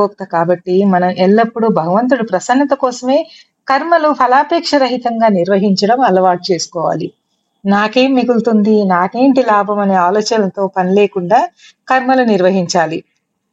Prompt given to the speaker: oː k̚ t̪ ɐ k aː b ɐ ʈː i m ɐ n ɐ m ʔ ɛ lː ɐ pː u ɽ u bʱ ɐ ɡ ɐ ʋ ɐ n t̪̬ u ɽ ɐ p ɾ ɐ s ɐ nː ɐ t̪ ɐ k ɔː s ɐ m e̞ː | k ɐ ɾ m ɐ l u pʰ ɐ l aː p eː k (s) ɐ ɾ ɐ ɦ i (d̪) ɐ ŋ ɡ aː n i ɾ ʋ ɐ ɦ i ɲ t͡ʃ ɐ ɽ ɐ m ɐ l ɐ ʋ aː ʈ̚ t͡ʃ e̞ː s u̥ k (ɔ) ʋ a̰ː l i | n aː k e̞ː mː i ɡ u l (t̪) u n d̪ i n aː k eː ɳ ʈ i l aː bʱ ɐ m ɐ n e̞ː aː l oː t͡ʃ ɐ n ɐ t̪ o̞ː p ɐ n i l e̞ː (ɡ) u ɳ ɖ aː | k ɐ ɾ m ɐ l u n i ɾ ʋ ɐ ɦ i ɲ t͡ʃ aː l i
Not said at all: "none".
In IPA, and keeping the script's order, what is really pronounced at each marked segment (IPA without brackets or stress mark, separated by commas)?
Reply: ʂ, t̪, ɔː, t̪, k